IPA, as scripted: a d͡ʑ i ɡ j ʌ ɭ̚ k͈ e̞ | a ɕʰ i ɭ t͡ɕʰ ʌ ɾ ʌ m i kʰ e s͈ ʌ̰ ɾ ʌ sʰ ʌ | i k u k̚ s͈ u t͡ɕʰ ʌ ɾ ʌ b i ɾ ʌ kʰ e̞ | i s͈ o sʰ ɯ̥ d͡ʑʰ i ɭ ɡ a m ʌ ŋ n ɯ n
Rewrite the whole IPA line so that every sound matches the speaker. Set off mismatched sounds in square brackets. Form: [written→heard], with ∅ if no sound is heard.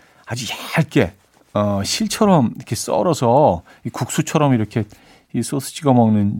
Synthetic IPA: a d͡ʑ i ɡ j [ʌ→a] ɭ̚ k͈ e̞ | [a→ʌ] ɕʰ i ɭ t͡ɕʰ ʌ ɾ ʌ m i kʰ e s͈ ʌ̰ ɾ ʌ sʰ ʌ | i k u k̚ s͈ u t͡ɕʰ ʌ ɾ ʌ [b→m] i ɾ ʌ kʰ e̞ | i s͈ o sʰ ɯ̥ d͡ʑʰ i [ɭ→∅] ɡ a m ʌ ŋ n ɯ n